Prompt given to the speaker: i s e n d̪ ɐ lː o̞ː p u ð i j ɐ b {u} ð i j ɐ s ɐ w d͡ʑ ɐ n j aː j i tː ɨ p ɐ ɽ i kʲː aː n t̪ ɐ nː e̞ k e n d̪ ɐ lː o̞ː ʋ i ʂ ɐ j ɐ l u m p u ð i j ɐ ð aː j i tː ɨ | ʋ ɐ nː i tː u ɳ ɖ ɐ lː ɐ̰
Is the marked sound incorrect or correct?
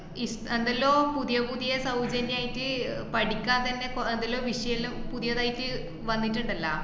correct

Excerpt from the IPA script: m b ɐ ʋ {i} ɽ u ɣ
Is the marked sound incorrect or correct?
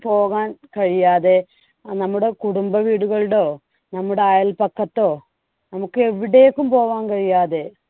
incorrect: iː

